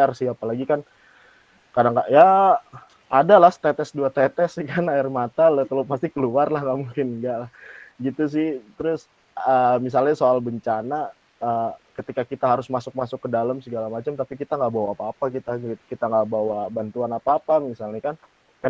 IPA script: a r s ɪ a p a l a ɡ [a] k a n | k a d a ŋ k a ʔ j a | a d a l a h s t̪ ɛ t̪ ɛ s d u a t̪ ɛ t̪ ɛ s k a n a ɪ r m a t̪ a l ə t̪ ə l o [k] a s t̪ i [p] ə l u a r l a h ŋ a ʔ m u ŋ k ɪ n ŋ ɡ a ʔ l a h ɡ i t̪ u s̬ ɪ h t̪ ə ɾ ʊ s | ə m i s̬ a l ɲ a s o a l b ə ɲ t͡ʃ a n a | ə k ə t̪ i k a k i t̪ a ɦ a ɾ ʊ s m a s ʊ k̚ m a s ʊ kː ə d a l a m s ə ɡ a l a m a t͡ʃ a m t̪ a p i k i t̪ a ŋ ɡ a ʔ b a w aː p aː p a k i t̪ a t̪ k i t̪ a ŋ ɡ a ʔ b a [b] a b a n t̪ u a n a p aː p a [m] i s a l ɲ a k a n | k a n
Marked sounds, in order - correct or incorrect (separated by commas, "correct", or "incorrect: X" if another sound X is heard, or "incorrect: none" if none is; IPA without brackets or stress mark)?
incorrect: i, incorrect: p, incorrect: k, incorrect: w, correct